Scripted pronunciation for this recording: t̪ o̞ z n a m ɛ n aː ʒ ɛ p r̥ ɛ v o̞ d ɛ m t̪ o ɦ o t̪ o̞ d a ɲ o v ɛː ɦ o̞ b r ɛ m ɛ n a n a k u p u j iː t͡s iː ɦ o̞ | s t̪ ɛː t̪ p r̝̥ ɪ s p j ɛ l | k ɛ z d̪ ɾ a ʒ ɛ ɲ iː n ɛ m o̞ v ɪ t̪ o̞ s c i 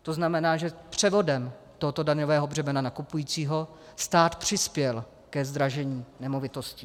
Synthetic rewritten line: t̪ o̞ z n a m ɛ n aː ʒ ɛ p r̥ ɛ v o̞ d ɛ m t̪ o ɦ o t̪ o̞ d a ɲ o v ɛː ɦ o̞ b r ɛ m ɛ n a n a k u p u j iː t͡s iː ɦ o̞ | s t̪ aː t̪ p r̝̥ ɪ s p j ɛ l | k ɛ z d̪ ɾ a ʒ ɛ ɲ iː n ɛ m o̞ v ɪ t̪ o̞ s c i

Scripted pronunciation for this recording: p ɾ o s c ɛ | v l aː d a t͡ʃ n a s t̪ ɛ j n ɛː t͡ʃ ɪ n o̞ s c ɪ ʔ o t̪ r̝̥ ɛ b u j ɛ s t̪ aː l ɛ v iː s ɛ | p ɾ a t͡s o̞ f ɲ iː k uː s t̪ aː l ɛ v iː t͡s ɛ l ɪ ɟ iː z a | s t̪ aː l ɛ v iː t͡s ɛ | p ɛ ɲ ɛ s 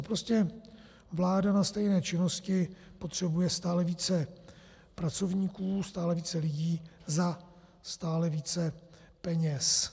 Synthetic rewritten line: p ɾ o s c ɛ | v l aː d a n a s t̪ ɛ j n ɛː t͡ʃ ɪ n o̞ s c ɪ p o t̪ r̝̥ ɛ b u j ɛ s t̪ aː l ɛ v iː t͡s ɛ | p ɾ a t͡s o̞ v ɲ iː k uː s t̪ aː l ɛ v iː t͡s ɛ l ɪ ɟ iː z a | s t̪ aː l ɛ v iː t͡s ɛ | p ɛ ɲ ɛ s

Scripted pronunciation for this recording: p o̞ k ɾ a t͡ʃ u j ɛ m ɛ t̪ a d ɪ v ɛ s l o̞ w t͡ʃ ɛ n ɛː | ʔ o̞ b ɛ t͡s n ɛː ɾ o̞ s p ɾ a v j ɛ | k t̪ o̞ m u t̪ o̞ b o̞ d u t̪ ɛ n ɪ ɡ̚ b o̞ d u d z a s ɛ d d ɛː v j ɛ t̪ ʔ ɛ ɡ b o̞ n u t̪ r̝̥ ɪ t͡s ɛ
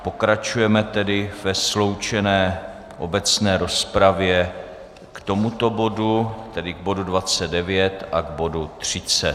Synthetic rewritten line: p o̞ k ɾ a t͡ʃ u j ɛ m ɛ t̪ ɛ d ɪ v ɛ s l o̞ w t͡ʃ ɛ n ɛː | ʔ o̞ b ɛ t͡s n ɛː ɾ o̞ s p ɾ a v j ɛ | k t̪ o̞ m u t̪ o̞ b o̞ d u t̪ ɛ d ɪ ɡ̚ b o̞ d u d v a t͡s ɛ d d ɛ v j ɛ t̪ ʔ a ɡ b o̞ d u t̪ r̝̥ ɪ t͡s ɛ

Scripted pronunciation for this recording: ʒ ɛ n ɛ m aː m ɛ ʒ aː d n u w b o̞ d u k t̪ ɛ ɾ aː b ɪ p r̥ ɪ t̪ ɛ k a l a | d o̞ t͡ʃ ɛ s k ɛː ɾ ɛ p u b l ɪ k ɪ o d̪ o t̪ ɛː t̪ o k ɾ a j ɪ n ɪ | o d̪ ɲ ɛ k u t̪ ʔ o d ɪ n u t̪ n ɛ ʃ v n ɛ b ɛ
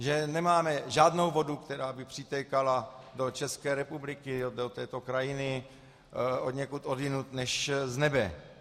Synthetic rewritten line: ʒ ɛ n ɛ m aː m ɛ ʒ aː d n o w v o̞ d u k t̪ ɛ ɾ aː b ɪ p r̥ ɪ t̪ ɛ k a l a | d o̞ t͡ʃ ɛ s k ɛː ɾ ɛ p u b l ɪ k ɪ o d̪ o t̪ ɛː t̪ o k ɾ a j ɪ n ɪ | o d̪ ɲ ɛ k u t̪ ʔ o d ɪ n u t̪ n ɛ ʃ z n ɛ b ɛ

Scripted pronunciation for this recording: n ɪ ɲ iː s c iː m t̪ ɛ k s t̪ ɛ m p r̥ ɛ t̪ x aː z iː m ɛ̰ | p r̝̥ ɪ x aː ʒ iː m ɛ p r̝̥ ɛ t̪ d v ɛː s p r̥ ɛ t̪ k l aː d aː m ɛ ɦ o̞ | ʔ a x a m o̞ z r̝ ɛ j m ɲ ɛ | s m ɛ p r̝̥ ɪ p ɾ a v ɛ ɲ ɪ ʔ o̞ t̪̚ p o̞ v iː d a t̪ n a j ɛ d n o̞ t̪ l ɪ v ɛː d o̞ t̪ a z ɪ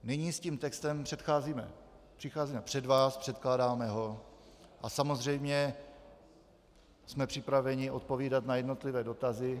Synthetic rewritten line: n ɪ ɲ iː s c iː m t̪ ɛ k s t̪ ɛ m p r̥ ɛ t̪ x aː z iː m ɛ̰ | p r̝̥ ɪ x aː z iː m ɛ p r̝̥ ɛ d v aː s p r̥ ɛ t̪ k l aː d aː m ɛ ɦ o̞ | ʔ a s a m o̞ z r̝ ɛ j m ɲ ɛ | s m ɛ p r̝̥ ɪ p ɾ a v ɛ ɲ ɪ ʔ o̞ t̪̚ p o̞ v iː d a t̪ n a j ɛ d n o̞ t̪ l ɪ v ɛː d o̞ t̪ a z ɪ

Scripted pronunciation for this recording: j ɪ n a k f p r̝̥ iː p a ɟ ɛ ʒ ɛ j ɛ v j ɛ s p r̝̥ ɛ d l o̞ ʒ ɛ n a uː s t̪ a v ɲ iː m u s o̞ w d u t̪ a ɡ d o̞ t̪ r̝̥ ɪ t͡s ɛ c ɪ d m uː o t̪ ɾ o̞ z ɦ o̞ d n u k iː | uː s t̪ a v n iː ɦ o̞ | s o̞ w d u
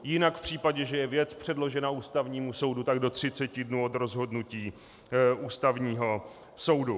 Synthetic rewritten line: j ɪ n a k f p r̝̥ iː p a ɟ ɛ ʒ ɛ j ɛ v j ɛ t͡s p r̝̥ ɛ d l o̞ ʒ ɛ n a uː s t̪ a v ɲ iː m u s o̞ w d u t̪ a ɡ d o̞ t̪ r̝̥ ɪ t͡s ɛ c ɪ d n uː o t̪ ɾ o̞ z ɦ o̞ d n u c iː | uː s t̪ a v ɲ iː ɦ o̞ | s o̞ w d u

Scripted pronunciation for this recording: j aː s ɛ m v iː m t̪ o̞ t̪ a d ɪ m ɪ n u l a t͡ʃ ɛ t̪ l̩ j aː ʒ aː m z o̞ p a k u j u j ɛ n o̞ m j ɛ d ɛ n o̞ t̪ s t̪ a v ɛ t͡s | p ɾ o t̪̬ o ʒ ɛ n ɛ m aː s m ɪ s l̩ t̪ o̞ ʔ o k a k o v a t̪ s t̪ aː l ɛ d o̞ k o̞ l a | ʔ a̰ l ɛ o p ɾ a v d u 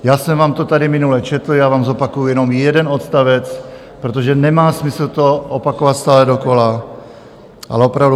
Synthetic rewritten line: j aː s ɛ m v aː m t̪ o̞ t̪ a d ɪ m ɪ n u l ɛ t͡ʃ ɛ t̪ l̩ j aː v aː m z o̞ p a k u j u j ɛ n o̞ m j ɛ d ɛ n o̞ t̪ s t̪ a v ɛ t͡s | p ɾ o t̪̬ o ʒ ɛ n ɛ m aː s m ɪ s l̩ t̪ o̞ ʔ o p a k o v a t̪ s t̪ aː l ɛ d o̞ k o̞ l a | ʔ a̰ l ɛ o p ɾ a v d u

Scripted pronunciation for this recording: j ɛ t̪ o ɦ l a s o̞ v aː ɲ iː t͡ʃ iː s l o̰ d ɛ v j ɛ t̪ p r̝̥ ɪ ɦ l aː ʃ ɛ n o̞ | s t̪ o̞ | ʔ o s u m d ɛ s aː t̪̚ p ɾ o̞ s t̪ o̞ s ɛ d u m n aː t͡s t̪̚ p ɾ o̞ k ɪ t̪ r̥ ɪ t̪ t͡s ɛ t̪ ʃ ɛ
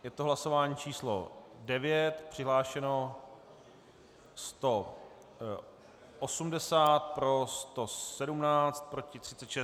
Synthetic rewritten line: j ɛ t̪ o ɦ l a s o̞ v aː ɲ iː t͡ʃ iː s l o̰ d ɛ v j ɛ t̪ p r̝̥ ɪ ɦ l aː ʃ ɛ n o̞ | s t̪ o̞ | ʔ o s u m d ɛ s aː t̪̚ p ɾ o̞ s t̪ o̞ s ɛ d u m n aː t͡s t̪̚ p ɾ o̞ c ɪ t̪ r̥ ɪ t̪ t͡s ɛ t̪ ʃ ɛ

